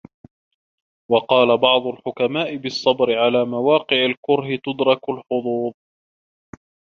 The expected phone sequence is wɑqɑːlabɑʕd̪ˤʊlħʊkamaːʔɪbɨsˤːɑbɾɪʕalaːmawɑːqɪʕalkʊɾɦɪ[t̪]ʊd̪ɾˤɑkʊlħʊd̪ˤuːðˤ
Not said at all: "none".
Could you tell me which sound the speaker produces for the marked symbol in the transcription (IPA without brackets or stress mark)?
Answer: t̪